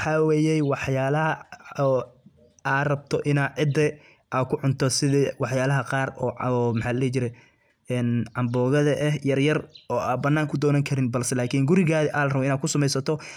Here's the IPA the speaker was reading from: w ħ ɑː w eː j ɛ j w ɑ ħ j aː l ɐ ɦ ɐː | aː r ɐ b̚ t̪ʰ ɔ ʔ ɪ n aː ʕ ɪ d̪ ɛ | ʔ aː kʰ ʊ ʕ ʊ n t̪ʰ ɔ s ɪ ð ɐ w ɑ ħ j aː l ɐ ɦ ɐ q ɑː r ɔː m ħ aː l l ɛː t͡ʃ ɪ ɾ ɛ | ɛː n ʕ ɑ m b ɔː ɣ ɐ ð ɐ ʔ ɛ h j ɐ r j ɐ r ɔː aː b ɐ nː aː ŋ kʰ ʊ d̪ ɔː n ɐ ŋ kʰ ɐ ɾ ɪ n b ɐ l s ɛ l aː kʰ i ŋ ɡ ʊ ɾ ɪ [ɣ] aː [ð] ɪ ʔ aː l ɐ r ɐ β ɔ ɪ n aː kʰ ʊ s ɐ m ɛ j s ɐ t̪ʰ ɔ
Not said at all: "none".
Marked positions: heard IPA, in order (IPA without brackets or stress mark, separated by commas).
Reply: ɣ, ð